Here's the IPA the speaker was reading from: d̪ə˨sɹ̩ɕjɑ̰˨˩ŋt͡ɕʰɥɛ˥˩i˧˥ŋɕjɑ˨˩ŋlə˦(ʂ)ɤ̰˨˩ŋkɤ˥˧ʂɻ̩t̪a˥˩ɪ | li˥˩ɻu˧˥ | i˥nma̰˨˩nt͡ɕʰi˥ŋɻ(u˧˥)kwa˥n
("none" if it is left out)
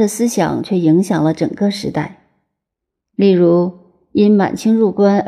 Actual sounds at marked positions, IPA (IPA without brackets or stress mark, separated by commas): ʈ͡ʂ, u˥˩